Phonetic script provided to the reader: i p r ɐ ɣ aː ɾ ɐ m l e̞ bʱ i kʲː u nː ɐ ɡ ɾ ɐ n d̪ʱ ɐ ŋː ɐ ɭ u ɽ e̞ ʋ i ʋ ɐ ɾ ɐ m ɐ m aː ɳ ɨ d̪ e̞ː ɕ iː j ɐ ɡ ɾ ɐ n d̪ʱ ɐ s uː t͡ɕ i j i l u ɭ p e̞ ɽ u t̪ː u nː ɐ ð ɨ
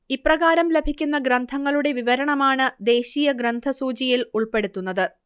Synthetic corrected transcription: i p r ɐ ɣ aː ɾ ɐ m l e̞ bʱ i kʲː u nː ɐ ɡ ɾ ɐ n d̪ʱ ɐ ŋː ɐ ɭ u ɽ e̞ ʋ i ʋ ɐ ɾ ɐ ɳ ɐ m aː ɳ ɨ d̪ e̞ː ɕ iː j ɐ ɡ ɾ ɐ n d̪ʱ ɐ s uː t͡ɕ i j i l u ɭ p e̞ ɽ u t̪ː u nː ɐ ð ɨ